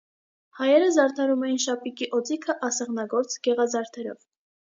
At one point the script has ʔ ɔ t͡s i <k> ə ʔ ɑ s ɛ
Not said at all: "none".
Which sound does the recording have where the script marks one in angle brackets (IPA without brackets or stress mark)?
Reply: kʰ